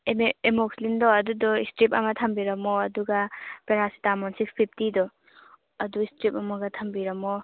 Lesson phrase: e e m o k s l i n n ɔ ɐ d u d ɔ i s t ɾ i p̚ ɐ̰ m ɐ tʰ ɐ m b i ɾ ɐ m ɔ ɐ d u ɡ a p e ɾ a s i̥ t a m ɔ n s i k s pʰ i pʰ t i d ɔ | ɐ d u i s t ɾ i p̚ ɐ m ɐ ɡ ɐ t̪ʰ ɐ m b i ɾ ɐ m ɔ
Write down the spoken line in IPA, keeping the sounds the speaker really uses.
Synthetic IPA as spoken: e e m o k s l i n d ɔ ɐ d u d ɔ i s t ɾ i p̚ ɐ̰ m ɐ tʰ ɐ m b i ɾ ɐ m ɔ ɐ d u ɡ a p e ɾ a s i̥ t a m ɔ n s i k s pʰ i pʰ t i d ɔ | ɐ d u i s t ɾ i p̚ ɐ m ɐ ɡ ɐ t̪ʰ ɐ m b i ɾ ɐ m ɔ